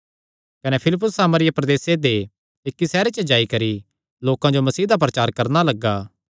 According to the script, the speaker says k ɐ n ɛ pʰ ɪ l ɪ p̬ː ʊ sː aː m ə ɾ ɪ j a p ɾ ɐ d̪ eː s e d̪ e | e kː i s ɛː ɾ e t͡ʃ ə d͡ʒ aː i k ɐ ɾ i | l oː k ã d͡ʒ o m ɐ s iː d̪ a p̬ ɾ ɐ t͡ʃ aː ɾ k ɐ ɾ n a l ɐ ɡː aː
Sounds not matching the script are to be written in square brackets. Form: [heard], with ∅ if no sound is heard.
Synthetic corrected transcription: k ɐ n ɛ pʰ ɪ l ɪ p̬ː ʊ sː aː m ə ɾ ɪ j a p ɾ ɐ d̪ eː s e d̪ e | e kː i s ɛː ɾ e t͡ʃ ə d͡ʒ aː i k ɐ ɾ i | l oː k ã d͡ʒ o m ɐ s iː d̪ a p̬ ɾ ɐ t͡ʃ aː ɾ k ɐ ɾ n a l ɐ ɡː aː